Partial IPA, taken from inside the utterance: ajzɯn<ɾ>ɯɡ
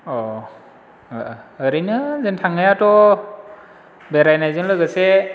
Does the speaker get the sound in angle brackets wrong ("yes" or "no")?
yes